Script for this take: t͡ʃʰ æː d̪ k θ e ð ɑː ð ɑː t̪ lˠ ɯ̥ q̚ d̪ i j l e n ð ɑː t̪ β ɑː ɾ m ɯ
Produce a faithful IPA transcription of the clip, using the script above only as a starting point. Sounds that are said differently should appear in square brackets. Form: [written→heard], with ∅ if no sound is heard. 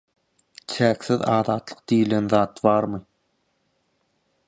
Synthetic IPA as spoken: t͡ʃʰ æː [d̪→∅] k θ [e→i] ð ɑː ð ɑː t̪ lˠ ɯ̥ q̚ d̪ i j l e n ð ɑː t̪ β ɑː ɾ m ɯ